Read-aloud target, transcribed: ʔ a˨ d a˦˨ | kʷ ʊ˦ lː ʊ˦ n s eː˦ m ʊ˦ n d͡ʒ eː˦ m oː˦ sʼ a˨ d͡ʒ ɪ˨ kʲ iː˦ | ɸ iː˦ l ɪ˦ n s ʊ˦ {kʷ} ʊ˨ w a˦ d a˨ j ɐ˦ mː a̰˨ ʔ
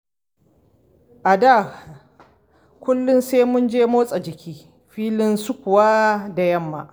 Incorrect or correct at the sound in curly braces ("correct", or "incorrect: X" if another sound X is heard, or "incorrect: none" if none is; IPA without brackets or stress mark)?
correct